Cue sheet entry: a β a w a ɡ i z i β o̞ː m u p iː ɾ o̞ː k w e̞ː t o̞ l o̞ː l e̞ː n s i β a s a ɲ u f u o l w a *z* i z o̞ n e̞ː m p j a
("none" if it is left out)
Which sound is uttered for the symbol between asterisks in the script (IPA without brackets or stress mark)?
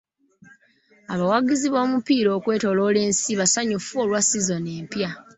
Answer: s